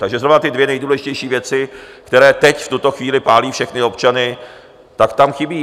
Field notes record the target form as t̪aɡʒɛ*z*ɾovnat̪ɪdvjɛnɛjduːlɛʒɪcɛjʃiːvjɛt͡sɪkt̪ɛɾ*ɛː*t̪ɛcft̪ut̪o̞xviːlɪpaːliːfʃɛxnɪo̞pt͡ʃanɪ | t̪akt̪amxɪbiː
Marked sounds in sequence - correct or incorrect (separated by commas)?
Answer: correct, correct